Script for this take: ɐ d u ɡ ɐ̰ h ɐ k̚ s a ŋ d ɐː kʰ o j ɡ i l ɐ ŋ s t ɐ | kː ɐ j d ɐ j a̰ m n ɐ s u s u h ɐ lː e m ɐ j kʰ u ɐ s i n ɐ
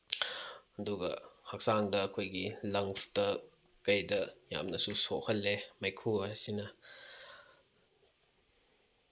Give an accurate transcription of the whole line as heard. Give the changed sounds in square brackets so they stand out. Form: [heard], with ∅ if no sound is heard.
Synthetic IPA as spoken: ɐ d u ɡ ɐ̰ h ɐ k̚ s a ŋ d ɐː kʰ o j ɡ i l ɐ ŋ s t ɐ | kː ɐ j d ɐ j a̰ m n ɐ s u s [o] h ɐ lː e m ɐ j kʰ u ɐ s i n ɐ